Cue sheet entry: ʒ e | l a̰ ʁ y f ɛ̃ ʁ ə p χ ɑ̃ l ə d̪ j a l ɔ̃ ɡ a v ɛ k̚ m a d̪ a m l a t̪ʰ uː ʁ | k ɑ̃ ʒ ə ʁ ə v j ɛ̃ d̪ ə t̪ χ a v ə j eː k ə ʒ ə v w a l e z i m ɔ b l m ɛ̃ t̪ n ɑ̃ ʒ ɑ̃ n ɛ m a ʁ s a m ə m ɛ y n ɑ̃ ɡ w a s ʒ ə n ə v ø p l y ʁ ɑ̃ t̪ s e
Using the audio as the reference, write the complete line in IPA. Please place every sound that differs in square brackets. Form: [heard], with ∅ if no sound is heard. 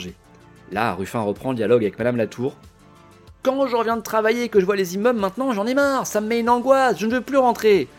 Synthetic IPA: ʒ e | l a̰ ʁ y f ɛ̃ ʁ ə p χ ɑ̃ l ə d̪ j a l [ɔ] ɡ a v ɛ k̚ m a d̪ a m l a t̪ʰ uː ʁ | k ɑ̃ ʒ ə ʁ ə v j ɛ̃ d̪ ə t̪ χ a v [a] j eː k ə ʒ ə v w a l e z i m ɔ b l m ɛ̃ t̪ n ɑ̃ ʒ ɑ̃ n ɛ m a ʁ s a m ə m ɛ y n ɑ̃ ɡ w a s ʒ ə n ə v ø p l y ʁ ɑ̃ t̪ [χ] e